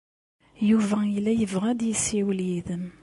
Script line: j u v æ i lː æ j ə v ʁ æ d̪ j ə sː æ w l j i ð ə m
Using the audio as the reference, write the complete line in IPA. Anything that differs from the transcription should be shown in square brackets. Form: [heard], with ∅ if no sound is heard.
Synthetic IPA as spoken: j u v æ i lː æ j ə v ʁ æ d̪ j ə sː [i] w l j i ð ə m